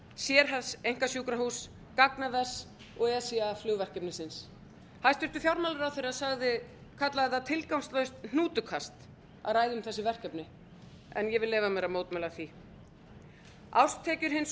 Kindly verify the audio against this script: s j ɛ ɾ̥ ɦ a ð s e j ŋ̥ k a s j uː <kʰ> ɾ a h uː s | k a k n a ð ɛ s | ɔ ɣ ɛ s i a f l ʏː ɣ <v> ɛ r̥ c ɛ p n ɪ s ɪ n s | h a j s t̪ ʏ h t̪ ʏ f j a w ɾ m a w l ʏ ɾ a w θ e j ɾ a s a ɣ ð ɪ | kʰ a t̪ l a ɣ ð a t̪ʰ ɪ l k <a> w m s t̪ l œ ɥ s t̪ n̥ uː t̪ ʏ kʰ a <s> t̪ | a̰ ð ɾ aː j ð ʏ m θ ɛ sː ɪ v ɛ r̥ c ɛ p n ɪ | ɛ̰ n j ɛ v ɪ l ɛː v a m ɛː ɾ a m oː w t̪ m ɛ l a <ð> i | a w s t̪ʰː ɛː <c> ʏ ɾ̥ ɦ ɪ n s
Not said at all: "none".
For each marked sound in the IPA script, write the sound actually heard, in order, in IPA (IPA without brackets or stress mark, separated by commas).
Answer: k, v, a, s, θ, c